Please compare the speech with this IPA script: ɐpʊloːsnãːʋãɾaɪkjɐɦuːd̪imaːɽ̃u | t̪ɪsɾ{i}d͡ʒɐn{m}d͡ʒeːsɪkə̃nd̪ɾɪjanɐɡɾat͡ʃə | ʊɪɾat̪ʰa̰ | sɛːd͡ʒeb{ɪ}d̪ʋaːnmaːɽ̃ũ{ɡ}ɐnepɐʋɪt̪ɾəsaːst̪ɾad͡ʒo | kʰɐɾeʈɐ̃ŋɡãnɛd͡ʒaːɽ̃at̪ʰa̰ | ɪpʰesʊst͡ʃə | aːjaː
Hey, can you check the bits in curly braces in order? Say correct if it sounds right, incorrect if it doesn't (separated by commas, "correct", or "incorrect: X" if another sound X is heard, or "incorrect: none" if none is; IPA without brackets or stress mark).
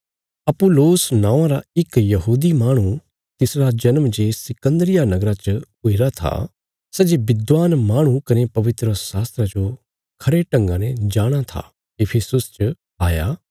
incorrect: a, correct, correct, incorrect: k